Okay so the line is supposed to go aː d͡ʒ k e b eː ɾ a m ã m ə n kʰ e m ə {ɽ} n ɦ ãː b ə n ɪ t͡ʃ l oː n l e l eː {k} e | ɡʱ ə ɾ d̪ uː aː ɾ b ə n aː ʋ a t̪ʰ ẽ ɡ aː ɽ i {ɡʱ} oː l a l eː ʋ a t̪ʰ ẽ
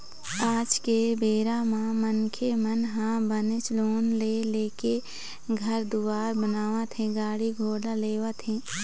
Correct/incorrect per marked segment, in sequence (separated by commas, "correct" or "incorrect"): incorrect, correct, correct